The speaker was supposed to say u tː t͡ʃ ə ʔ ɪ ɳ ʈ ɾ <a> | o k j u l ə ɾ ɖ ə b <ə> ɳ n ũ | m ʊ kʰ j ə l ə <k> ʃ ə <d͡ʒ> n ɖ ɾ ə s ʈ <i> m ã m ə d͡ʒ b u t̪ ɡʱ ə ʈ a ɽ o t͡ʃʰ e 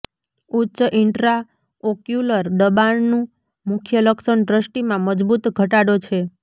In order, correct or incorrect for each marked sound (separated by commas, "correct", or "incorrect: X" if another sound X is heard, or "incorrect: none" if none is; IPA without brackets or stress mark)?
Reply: correct, incorrect: a, correct, incorrect: none, correct